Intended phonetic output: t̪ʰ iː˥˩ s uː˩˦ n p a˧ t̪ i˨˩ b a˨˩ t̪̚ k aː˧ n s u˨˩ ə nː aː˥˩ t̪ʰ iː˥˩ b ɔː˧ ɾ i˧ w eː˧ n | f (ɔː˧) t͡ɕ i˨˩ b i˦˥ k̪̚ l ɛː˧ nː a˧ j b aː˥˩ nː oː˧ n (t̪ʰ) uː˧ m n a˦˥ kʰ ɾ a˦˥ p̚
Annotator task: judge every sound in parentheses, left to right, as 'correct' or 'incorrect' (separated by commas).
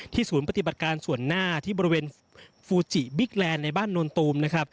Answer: incorrect, incorrect